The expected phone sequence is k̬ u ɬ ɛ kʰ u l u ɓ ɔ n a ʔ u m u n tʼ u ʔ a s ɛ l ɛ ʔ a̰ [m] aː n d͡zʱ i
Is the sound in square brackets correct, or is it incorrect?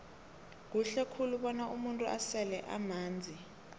correct